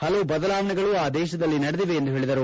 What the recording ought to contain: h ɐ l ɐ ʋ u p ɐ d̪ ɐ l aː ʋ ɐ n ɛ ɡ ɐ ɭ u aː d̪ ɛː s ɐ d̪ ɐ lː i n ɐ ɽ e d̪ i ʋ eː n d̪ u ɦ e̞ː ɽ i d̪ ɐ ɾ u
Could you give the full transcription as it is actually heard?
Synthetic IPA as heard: h ɐ l ɐ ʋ u b ɐ d̪ ɐ l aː ʋ ɐ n ɛ ɡ ɐ ɭ u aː d̪ ɛː ʃ ɐ d̪ ɐ lː i n ɐ ɽ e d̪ i ʋ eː n d̪ u ɦ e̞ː ɭ i d̪ ɐ ɾ u